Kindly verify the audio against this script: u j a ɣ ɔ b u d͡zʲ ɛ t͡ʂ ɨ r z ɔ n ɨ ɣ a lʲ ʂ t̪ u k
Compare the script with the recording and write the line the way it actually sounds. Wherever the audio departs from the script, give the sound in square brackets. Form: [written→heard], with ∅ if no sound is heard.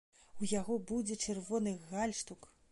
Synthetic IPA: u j a ɣ ɔ b u d͡zʲ ɛ t͡ʂ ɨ r [z→v] ɔ n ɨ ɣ a lʲ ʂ t̪ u k